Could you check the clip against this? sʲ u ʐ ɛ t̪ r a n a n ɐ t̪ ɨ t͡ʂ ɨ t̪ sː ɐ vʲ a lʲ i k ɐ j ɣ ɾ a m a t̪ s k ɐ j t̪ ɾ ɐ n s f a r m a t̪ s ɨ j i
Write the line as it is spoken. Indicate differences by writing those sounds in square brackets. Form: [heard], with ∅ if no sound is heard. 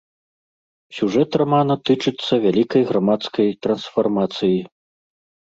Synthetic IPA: sʲ u ʐ ɛ t̪ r a [m] a n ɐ t̪ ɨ t͡ʂ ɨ t̪ sː ɐ vʲ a lʲ i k ɐ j ɣ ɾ a m a t̪ s k ɐ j t̪ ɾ ɐ n s f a r m a t̪ s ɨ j i